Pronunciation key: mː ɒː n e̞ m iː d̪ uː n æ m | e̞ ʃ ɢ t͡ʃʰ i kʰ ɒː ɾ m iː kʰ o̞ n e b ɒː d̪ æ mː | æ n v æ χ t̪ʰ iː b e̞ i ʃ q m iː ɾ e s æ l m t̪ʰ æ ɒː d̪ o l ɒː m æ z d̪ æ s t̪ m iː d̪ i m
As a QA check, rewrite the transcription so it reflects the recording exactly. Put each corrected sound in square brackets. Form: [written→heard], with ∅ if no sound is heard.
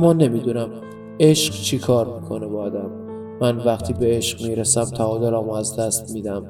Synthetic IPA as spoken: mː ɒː n e̞ m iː d̪ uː n æ m | e̞ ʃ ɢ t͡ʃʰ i kʰ ɒː ɾ m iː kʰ o̞ n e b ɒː d̪ æ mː | æ n v æ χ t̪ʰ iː b e̞ [i→e] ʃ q m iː ɾ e s æ [l→∅] m t̪ʰ æ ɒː d̪ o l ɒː m æ z d̪ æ s t̪ m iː d̪ [i→æ] m